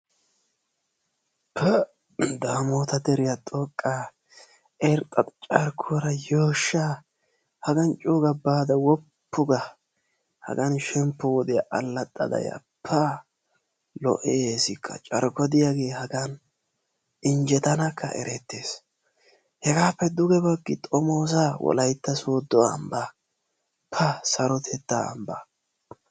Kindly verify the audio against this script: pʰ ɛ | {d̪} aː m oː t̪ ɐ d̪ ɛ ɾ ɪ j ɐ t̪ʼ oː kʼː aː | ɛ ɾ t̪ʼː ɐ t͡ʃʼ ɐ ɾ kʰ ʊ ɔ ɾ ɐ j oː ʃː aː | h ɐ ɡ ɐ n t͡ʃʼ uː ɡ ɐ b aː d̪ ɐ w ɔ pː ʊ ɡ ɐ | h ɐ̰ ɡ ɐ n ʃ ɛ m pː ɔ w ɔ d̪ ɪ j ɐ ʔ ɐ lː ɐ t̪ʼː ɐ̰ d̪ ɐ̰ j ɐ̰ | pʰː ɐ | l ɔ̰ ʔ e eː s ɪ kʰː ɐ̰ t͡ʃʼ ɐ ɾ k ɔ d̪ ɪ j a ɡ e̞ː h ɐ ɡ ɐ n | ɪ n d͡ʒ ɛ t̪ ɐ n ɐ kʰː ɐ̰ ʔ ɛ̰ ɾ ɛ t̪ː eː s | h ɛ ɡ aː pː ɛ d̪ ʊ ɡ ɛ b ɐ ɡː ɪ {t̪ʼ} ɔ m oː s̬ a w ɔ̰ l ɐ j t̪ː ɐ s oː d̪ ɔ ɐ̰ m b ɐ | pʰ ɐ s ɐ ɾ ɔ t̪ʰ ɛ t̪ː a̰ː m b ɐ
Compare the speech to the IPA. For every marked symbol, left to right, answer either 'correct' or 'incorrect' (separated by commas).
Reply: correct, correct